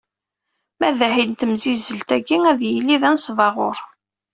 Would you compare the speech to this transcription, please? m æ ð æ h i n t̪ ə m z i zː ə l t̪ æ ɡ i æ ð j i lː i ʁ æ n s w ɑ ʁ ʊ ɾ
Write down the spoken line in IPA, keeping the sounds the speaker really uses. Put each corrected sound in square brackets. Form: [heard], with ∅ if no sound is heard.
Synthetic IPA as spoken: m æ ð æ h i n t̪ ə m z i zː ə l t̪ æ ɡ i æ ð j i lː i [ð] æ n s [v] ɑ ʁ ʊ ɾ